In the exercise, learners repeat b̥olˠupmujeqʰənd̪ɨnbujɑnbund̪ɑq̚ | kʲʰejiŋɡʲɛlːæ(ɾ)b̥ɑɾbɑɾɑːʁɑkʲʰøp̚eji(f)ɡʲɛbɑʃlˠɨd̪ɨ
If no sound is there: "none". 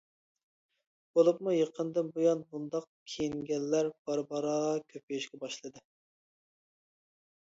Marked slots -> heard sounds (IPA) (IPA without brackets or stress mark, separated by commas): ɾ, ʃ